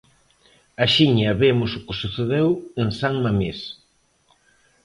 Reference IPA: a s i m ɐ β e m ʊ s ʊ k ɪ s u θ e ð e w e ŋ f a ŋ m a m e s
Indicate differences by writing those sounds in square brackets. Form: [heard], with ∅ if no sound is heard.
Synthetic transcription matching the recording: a [ʃ] i [ɲ] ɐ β e m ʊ s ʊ k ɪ s u θ e ð e w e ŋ [s] a ŋ m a m e s